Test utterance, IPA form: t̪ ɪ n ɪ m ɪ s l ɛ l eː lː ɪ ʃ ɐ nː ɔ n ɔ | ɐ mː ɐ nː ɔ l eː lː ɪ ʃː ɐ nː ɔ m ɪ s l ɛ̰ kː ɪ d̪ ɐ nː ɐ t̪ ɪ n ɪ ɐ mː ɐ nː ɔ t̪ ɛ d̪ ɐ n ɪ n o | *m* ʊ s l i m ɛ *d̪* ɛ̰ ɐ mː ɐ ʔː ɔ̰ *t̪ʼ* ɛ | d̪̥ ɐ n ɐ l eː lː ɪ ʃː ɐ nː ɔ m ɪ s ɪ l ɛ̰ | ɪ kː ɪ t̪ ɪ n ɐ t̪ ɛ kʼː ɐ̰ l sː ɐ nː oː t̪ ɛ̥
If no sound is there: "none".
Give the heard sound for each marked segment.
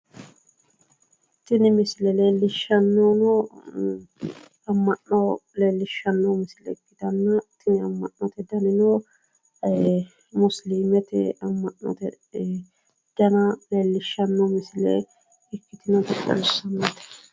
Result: m, t̪, t̪

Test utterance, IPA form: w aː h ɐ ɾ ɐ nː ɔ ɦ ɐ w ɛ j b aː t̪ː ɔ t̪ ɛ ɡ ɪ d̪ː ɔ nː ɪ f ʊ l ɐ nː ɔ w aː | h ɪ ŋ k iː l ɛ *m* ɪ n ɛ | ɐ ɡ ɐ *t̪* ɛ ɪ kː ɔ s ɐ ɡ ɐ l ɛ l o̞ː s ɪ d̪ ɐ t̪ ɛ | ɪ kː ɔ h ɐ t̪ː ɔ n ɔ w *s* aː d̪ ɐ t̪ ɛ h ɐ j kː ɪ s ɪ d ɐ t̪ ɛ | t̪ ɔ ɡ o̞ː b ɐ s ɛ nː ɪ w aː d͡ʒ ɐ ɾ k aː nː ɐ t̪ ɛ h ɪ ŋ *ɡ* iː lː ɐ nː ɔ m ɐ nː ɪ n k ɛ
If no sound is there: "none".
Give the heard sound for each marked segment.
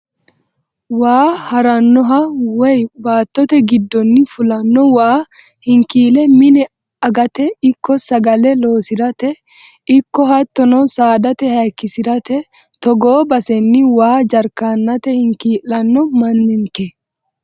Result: m, t̪, s, k

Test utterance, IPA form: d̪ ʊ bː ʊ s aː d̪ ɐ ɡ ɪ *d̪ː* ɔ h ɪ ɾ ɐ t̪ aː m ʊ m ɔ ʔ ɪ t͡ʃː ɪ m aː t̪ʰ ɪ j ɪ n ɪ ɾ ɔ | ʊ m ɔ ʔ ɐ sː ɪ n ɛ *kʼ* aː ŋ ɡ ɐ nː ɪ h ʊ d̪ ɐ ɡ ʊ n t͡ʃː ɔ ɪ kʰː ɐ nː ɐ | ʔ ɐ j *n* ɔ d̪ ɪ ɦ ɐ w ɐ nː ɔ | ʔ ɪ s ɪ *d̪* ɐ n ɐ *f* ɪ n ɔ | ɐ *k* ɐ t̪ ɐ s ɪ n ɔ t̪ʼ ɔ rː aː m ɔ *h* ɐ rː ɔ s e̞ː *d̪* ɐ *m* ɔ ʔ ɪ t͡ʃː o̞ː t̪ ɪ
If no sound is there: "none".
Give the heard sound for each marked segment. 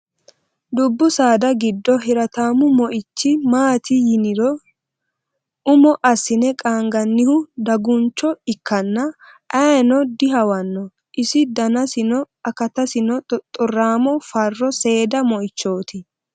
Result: d̪ː, kʼ, n, d̪, s, k, f, d̪, m

